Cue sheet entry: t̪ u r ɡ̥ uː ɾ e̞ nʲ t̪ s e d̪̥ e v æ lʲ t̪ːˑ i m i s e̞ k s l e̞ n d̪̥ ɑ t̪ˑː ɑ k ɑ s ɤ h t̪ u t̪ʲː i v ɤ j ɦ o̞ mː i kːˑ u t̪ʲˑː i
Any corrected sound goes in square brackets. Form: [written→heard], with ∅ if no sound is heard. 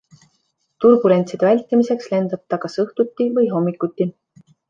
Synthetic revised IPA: t̪ u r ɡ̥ [uː→u] ɾ e̞ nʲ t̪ s [e→i] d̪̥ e v æ lʲ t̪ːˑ i m i s e̞ k s l e̞ n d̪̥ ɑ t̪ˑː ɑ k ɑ s ɤ h t̪ u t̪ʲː i v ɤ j ɦ o̞ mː i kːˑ u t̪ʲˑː i